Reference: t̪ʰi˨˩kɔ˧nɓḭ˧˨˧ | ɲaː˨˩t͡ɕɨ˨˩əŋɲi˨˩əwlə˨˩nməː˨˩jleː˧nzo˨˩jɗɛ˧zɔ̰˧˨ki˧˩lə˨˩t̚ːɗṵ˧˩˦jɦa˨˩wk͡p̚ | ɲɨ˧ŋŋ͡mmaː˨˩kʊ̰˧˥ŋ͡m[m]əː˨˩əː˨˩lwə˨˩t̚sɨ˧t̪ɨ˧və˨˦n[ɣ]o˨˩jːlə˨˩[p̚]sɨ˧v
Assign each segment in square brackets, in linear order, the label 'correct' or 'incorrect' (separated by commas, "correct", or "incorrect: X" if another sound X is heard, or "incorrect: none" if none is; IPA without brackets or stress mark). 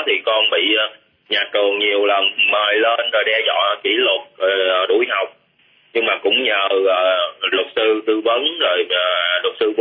incorrect: ɲ, incorrect: z, incorrect: t̚